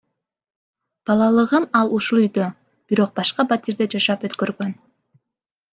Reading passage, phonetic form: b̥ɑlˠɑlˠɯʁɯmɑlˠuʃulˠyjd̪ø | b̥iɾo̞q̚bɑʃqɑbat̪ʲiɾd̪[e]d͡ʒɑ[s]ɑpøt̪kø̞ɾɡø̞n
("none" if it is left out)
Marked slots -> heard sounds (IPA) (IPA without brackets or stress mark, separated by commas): e, ʃ